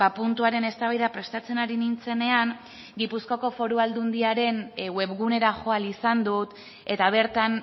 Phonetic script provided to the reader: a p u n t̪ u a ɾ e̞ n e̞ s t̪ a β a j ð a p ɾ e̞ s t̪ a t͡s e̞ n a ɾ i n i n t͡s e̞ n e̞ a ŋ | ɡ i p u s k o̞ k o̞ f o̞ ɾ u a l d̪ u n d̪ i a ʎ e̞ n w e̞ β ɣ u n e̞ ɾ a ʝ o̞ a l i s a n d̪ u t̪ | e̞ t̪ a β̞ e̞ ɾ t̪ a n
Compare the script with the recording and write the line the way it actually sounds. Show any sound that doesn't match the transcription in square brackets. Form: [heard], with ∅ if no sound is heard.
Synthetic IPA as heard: a p u n t̪ u a ɾ e̞ n e̞ s t̪ a β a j ð a p ɾ e̞ s t̪ a t͡s e̞ n a ɾ i n i n t͡s e̞ n e̞ a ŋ | ɡ i p u s k o̞ k o̞ f o̞ ɾ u a l d̪ u n d̪ i a [ɾ] e̞ n w e̞ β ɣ u n e̞ ɾ a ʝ o̞ a l i s a n d̪ u t̪ | e̞ t̪ a β̞ e̞ ɾ t̪ a n